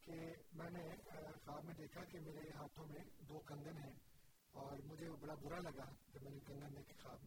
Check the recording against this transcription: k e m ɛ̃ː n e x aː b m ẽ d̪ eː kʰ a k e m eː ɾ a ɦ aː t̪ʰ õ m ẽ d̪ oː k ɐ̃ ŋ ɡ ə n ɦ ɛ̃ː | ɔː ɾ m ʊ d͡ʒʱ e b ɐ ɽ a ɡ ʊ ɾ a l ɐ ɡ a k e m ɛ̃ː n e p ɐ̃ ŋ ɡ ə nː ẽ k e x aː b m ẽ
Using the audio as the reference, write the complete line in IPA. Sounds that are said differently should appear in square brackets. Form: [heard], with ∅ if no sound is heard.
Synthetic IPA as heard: k e m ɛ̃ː n e x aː b m ẽ d̪ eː kʰ a k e m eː ɾ [e] ɦ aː t̪ʰ õ m ẽ d̪ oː k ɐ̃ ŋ ɡ ə n ɦ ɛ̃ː | ɔː ɾ m ʊ d͡ʒʱ e b ɐ ɽ a [b] ʊ ɾ a l ɐ ɡ a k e m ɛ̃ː n e [k] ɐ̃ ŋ ɡ ə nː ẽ k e x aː b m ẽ